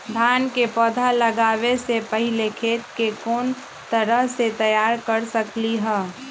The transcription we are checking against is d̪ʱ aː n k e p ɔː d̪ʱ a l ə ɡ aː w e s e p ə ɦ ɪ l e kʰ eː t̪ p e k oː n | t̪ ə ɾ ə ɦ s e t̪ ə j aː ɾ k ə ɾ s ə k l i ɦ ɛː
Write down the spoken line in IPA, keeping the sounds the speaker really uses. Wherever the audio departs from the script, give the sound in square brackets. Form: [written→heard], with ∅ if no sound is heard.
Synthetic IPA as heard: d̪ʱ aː n k e p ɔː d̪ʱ a l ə ɡ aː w e s e p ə ɦ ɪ l e kʰ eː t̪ [p→k] e k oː n | t̪ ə ɾ ə ɦ s e t̪ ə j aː ɾ k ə ɾ s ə k l i ɦ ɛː